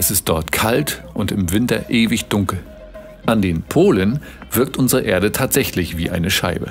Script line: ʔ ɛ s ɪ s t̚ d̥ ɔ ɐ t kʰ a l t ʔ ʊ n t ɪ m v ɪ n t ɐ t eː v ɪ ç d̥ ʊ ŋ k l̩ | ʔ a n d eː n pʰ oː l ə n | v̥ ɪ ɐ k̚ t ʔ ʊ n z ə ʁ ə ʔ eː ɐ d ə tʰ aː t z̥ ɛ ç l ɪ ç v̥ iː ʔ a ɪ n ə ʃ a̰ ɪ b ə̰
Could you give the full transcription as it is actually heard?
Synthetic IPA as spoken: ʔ ɛ s ɪ s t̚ d̥ ɔ ɐ t kʰ a l t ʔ ʊ n t ɪ m v ɪ n t ɐ ʔ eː v ɪ ç d̥ ʊ ŋ k l̩ | ʔ a n d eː n pʰ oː l ə n | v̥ ɪ ɐ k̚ t ʔ ʊ n z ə ʁ ə ʔ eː ɐ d ə tʰ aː t z̥ ɛ ç l ɪ ç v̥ iː ʔ a ɪ n ə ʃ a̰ ɪ b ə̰